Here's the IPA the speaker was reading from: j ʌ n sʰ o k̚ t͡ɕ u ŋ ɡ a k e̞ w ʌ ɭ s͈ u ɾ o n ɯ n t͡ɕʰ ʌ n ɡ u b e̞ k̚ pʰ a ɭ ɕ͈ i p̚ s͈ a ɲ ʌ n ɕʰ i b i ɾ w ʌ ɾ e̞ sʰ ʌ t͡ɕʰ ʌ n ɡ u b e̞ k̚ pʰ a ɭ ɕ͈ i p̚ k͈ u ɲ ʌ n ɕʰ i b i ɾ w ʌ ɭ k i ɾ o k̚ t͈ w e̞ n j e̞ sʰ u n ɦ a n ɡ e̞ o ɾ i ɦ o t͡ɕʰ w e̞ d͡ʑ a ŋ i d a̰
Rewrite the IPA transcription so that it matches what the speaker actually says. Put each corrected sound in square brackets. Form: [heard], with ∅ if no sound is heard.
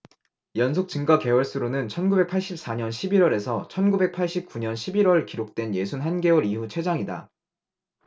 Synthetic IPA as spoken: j ʌ n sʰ o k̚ t͡ɕ [ɯ] ŋ ɡ a k e̞ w ʌ ɭ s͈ u ɾ o n ɯ n t͡ɕʰ ʌ n ɡ u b e̞ k̚ pʰ a ɭ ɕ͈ i p̚ s͈ a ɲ ʌ n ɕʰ i b i ɾ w ʌ ɾ e̞ sʰ ʌ t͡ɕʰ ʌ n ɡ u b e̞ k̚ pʰ a ɭ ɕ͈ i p̚ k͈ u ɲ ʌ n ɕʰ i b i ɾ w ʌ ɭ k i ɾ o k̚ t͈ w e̞ n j e̞ sʰ u n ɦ a n ɡ e̞ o ɾ i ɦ [u] t͡ɕʰ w e̞ d͡ʑ a ŋ i d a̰